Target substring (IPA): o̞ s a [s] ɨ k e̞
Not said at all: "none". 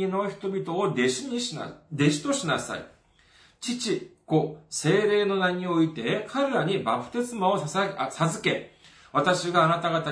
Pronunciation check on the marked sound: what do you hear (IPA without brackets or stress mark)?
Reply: z